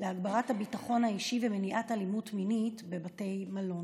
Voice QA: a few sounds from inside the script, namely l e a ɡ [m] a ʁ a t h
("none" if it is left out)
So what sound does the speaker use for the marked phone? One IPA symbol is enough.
b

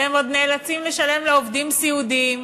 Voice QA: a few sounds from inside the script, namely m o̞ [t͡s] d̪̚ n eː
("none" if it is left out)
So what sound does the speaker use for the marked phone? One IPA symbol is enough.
none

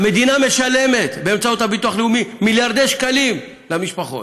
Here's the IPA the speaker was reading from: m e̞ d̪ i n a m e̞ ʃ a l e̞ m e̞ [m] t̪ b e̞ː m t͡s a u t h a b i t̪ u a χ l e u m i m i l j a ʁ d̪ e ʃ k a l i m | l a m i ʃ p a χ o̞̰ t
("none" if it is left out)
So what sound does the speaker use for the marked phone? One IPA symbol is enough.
none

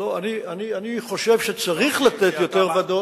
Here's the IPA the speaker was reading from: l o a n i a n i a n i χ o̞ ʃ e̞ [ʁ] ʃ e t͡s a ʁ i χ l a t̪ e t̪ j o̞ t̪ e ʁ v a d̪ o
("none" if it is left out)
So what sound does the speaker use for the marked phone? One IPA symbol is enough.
v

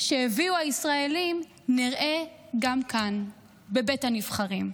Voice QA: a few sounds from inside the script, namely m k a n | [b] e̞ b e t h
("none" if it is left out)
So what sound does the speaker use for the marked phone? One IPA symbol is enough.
b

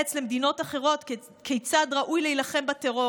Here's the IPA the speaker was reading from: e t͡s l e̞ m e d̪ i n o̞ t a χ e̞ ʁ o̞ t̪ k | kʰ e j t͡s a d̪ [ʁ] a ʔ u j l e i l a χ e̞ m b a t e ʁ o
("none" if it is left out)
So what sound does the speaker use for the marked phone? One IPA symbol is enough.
ʁ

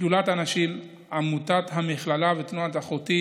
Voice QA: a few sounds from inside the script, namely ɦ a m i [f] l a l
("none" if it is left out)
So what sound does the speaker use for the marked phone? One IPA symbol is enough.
χ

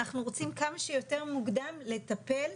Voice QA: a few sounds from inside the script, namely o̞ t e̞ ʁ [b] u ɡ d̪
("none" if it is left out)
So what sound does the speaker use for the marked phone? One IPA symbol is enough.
m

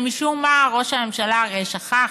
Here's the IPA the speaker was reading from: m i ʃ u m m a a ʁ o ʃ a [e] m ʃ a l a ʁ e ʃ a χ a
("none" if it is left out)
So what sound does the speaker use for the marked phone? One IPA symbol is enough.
e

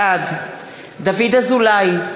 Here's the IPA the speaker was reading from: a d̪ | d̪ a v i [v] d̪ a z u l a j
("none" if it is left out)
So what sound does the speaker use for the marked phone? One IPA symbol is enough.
none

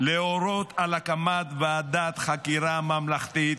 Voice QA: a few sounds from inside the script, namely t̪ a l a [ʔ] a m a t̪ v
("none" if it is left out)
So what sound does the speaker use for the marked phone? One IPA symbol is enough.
k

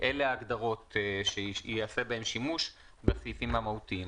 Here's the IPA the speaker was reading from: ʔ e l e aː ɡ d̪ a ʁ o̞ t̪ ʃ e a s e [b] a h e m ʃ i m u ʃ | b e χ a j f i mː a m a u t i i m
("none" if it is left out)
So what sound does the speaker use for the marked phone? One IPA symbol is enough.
b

